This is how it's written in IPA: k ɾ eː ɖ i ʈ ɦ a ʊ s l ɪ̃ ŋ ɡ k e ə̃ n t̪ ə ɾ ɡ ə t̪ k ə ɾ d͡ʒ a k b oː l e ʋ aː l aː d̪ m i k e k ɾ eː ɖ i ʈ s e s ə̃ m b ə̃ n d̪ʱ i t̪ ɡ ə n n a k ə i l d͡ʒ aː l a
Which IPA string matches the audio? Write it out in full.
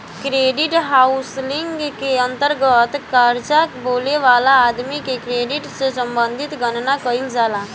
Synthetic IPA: k ɾ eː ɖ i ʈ ɦ a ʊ s l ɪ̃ ŋ ɡ k e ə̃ n t̪ ə ɾ ɡ ə t̪ k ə ɾ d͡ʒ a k b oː l e ʋ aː l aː d̪ m i k e k ɾ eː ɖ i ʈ s e s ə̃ m b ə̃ n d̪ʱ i t̪ ɡ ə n n a k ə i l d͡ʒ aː l a